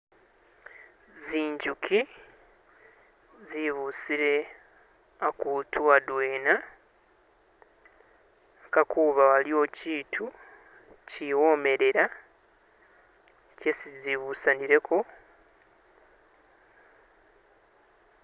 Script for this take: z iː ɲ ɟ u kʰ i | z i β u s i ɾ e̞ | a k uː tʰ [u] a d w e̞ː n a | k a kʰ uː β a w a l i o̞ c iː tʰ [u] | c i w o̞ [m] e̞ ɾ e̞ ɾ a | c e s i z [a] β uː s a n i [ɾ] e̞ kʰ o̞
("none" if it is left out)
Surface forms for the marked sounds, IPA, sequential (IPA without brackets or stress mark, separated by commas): u, u, m, i, ɾ